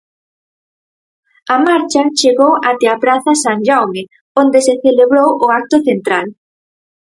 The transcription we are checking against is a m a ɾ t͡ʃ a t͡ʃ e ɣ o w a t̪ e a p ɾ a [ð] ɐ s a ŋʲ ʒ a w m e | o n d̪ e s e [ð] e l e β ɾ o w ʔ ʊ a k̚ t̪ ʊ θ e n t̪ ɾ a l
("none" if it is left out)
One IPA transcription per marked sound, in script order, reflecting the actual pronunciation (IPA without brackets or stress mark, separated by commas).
θ, θ